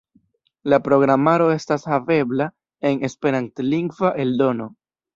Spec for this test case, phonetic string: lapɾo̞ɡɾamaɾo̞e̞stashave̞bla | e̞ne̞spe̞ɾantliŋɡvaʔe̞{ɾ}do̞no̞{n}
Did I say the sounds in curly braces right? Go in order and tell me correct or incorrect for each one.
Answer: incorrect: l, incorrect: none

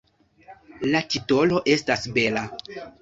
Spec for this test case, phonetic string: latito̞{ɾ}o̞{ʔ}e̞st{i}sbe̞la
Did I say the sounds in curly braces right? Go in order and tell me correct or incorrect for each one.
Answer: incorrect: l, correct, incorrect: a

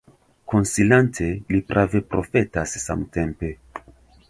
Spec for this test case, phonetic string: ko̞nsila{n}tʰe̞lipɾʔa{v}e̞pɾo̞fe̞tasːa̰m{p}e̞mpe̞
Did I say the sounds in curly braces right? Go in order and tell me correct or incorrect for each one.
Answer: correct, correct, incorrect: t

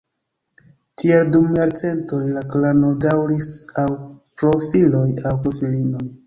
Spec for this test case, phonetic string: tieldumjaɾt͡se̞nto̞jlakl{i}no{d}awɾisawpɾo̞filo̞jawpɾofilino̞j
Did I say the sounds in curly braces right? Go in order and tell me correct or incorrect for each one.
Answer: incorrect: a, correct

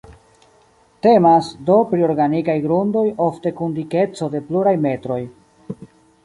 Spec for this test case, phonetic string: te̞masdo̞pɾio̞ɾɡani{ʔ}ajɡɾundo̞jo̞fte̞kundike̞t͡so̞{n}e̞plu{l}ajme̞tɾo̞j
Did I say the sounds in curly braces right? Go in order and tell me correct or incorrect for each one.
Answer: incorrect: k, incorrect: d, incorrect: ɾ

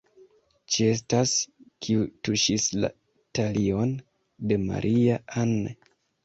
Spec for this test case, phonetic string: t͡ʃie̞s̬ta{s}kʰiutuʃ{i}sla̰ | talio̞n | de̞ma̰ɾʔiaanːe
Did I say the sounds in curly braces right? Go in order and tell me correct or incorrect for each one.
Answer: correct, correct

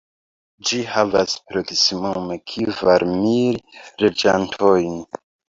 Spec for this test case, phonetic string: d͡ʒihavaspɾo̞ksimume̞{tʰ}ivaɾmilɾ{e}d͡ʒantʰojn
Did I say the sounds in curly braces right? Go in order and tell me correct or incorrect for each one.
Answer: incorrect: kʰ, correct

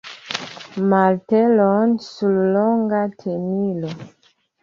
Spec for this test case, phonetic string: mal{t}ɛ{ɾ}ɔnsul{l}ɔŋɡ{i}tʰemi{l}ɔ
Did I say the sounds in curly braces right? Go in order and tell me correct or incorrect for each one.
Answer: correct, incorrect: l, correct, incorrect: a, correct

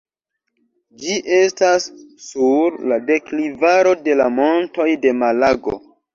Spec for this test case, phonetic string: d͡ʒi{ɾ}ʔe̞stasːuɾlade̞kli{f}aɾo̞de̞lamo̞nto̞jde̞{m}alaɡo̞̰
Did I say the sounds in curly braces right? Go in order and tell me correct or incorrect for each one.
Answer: incorrect: none, incorrect: v, correct

